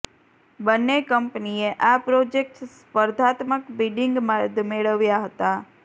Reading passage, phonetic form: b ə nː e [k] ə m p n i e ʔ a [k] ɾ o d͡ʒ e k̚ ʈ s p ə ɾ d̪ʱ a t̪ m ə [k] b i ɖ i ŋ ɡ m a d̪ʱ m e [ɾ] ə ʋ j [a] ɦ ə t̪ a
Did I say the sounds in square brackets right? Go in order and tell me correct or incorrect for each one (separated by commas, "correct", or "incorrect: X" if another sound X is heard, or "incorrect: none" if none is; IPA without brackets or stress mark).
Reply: correct, incorrect: p, correct, incorrect: ɭ, correct